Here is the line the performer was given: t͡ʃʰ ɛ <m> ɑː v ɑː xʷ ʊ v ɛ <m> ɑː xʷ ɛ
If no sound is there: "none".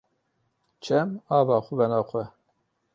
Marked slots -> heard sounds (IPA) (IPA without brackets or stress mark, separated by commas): m, n